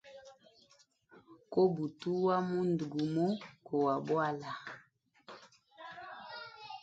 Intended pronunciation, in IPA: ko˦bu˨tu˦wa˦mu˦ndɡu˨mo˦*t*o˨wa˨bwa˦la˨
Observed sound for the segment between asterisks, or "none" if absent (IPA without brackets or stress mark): k